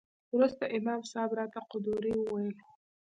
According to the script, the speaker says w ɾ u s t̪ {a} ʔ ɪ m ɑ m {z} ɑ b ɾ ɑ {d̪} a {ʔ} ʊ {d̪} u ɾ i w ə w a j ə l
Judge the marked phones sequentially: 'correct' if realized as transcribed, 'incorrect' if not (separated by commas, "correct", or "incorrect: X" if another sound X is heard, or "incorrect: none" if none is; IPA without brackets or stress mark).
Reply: correct, incorrect: s, incorrect: t̪, incorrect: q, correct